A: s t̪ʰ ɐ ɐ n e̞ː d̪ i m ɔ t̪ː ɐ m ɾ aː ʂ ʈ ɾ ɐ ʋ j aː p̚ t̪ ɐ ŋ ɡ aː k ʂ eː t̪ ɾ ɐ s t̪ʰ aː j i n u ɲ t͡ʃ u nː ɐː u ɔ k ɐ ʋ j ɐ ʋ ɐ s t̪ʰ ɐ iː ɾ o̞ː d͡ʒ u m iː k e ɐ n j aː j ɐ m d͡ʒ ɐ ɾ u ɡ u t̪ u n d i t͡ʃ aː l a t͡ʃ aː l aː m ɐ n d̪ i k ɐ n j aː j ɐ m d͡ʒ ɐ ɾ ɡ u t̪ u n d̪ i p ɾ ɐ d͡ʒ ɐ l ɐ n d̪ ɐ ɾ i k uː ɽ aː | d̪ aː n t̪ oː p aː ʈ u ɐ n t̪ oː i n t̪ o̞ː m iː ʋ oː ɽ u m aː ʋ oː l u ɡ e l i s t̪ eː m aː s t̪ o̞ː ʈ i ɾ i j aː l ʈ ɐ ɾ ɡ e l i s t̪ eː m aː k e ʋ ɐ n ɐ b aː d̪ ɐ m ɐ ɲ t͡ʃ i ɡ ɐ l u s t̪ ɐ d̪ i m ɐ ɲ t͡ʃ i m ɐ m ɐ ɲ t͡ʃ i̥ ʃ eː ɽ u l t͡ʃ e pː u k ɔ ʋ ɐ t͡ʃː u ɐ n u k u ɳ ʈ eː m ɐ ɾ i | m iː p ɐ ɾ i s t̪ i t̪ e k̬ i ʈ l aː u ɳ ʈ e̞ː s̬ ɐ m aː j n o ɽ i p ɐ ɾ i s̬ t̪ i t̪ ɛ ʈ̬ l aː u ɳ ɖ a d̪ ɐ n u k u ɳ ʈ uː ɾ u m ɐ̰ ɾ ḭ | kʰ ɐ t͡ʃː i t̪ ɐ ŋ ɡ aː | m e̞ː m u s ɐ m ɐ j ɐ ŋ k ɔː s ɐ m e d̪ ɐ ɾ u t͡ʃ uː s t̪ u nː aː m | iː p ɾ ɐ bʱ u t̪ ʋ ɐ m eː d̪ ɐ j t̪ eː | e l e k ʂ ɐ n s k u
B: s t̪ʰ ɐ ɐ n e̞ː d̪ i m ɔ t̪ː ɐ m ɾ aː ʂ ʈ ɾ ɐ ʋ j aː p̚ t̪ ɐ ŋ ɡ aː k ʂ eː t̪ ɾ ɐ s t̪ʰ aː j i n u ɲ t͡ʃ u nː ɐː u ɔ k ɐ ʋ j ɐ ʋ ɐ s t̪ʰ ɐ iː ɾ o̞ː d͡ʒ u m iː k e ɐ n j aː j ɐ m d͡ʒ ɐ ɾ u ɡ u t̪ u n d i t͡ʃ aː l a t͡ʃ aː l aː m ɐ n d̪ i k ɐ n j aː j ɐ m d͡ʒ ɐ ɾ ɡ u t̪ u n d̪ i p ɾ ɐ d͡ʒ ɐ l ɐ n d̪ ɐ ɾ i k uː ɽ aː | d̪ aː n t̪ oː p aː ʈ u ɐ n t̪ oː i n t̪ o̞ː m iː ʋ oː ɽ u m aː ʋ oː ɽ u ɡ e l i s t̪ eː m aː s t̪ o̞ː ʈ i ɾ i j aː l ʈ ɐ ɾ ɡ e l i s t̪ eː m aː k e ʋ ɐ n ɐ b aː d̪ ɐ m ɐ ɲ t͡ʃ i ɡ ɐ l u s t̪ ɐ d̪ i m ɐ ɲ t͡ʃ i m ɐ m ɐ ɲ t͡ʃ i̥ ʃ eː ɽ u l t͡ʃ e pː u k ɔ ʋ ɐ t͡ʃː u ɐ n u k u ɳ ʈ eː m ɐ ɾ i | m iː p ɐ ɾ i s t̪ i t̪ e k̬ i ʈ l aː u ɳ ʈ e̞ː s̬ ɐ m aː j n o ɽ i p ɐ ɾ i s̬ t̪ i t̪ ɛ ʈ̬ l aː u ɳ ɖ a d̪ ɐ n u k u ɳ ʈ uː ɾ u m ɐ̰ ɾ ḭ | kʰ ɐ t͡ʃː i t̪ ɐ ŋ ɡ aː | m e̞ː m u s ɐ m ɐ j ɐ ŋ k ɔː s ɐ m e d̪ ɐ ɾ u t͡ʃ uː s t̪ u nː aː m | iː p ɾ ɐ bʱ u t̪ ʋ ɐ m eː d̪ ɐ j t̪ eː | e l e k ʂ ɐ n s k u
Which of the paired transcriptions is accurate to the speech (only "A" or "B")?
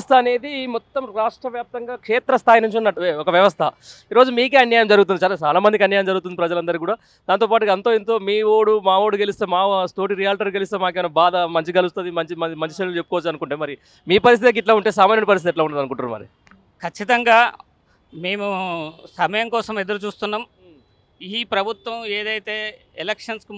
B